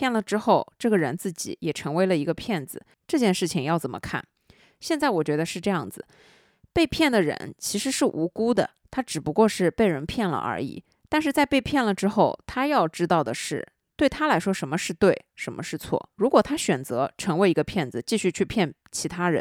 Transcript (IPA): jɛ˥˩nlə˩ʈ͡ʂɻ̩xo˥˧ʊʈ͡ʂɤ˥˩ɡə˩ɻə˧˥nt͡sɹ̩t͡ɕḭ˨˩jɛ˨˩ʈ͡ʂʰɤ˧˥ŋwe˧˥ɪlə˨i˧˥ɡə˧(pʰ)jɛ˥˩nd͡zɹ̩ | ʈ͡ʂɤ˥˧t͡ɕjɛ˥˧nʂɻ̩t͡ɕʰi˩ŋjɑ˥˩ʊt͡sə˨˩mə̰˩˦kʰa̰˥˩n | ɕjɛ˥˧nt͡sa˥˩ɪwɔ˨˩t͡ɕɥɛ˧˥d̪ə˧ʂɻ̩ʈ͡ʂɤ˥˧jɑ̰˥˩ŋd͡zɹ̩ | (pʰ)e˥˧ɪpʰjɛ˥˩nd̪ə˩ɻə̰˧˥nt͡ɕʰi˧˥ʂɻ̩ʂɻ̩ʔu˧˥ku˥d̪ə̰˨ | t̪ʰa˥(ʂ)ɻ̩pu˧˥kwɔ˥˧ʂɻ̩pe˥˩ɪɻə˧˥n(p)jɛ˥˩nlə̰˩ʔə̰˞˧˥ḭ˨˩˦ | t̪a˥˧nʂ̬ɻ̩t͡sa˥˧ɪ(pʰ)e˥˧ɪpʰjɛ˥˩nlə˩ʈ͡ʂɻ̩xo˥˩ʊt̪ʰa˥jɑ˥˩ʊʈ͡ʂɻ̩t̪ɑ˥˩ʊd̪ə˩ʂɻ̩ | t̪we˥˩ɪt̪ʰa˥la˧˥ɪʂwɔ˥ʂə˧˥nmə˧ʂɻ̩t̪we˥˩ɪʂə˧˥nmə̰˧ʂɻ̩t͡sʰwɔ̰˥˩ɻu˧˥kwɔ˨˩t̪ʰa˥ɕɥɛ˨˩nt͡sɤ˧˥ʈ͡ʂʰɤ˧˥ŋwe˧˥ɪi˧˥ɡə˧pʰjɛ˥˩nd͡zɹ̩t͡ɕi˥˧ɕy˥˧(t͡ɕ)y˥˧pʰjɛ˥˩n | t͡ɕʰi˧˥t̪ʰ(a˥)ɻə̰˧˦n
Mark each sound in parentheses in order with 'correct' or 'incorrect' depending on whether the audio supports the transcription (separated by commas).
correct, incorrect, incorrect, incorrect, incorrect, incorrect, correct